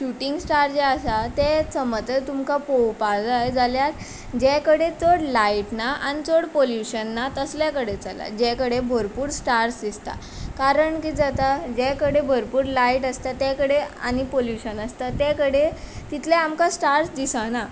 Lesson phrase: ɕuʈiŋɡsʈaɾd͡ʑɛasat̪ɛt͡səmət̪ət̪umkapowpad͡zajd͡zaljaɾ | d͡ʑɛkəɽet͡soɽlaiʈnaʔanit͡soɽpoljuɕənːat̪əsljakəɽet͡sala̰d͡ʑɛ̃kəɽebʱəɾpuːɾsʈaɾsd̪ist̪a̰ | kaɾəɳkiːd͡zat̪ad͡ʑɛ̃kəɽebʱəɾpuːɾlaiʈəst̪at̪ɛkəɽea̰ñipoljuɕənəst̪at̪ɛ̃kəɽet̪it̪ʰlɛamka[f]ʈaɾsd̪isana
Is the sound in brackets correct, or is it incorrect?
incorrect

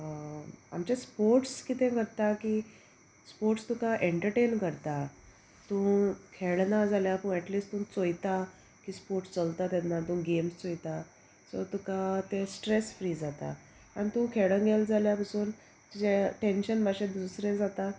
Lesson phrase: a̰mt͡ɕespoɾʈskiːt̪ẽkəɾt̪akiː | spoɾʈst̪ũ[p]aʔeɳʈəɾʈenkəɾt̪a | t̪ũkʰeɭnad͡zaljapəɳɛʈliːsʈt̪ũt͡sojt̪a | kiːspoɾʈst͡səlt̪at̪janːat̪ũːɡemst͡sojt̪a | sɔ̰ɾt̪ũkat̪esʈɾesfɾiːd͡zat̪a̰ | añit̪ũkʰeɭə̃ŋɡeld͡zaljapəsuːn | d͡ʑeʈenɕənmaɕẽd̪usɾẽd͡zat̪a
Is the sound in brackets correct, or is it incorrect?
incorrect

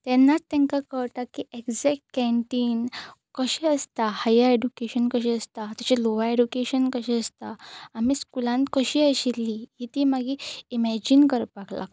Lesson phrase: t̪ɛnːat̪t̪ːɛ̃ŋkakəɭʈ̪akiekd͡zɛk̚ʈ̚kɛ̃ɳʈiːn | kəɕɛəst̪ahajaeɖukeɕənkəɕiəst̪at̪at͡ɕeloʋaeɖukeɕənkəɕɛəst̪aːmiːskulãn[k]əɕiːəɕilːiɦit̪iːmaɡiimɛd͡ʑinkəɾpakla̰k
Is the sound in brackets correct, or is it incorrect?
correct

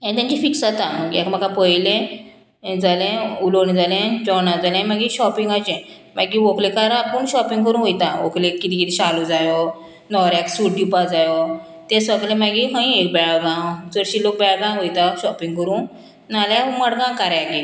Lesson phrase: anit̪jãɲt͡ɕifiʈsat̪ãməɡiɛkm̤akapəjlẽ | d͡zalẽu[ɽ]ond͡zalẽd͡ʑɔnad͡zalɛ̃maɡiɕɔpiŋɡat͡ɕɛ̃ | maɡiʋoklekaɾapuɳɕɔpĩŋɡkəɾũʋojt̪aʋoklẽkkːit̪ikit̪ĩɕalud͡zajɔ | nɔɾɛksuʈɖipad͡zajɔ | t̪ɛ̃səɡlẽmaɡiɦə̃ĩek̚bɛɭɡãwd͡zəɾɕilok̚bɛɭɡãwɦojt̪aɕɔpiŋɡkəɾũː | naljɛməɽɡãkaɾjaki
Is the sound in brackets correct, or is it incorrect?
incorrect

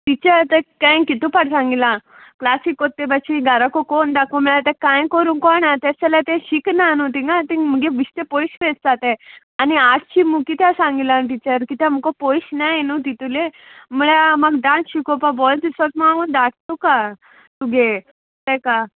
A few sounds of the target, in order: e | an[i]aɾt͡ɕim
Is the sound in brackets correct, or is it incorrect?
correct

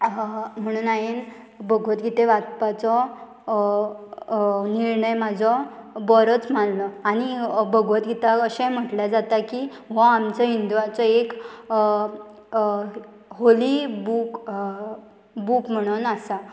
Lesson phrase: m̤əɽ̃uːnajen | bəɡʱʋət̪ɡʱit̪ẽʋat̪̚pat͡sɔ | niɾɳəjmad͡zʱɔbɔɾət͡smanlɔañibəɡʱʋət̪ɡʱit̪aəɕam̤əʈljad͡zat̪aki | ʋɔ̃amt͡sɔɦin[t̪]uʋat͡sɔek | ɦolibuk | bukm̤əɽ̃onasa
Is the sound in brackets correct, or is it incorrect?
incorrect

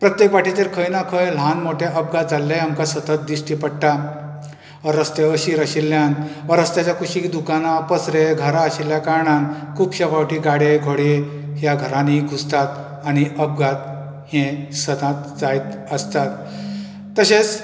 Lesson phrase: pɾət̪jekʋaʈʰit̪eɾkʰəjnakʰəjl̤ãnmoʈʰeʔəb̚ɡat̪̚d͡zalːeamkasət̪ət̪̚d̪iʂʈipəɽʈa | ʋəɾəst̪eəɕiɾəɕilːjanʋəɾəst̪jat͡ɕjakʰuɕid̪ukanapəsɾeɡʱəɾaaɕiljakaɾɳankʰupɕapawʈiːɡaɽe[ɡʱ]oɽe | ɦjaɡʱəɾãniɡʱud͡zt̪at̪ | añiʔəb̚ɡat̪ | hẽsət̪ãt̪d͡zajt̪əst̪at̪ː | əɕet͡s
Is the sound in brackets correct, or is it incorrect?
correct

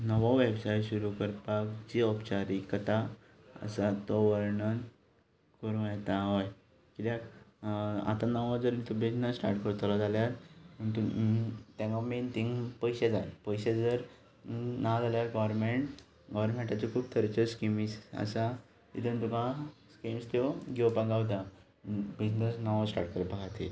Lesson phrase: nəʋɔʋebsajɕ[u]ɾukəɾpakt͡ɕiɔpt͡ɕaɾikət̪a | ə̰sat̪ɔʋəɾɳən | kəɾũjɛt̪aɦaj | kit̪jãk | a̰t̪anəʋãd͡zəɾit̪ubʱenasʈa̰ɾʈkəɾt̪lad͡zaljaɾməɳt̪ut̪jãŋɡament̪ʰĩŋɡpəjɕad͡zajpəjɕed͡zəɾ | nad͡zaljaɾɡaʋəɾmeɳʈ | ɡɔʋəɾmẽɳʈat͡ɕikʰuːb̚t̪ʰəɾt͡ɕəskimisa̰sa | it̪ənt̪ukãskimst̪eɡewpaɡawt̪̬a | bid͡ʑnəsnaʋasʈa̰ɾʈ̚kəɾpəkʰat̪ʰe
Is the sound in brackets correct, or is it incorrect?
correct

